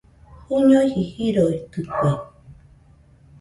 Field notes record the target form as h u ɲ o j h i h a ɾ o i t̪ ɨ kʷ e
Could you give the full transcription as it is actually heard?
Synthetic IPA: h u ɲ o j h i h i ɾ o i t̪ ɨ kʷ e